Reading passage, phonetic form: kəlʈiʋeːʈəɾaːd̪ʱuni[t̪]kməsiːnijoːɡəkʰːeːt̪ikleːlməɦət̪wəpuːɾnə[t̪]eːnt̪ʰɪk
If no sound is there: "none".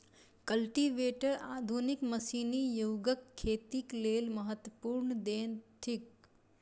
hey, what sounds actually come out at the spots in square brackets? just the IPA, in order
none, d̪

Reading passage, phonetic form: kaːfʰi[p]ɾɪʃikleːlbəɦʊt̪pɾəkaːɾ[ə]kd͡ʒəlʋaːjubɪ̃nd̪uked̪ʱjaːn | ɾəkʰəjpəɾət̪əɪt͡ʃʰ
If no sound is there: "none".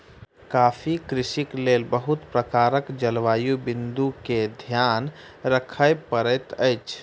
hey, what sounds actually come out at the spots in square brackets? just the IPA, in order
k, ə

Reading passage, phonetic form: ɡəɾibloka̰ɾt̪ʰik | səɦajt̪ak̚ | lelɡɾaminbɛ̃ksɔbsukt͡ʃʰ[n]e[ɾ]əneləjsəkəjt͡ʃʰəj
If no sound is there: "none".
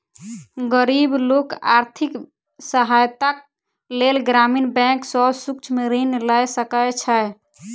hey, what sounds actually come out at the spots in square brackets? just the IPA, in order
m, ɾ

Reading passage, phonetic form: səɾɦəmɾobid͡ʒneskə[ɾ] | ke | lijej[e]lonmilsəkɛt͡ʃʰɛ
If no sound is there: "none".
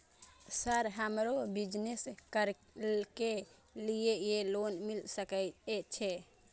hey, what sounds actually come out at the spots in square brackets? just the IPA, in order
ɾ, e

